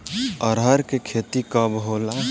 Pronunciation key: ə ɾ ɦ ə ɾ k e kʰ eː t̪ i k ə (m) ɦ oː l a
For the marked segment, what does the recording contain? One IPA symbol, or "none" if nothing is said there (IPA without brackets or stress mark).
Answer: b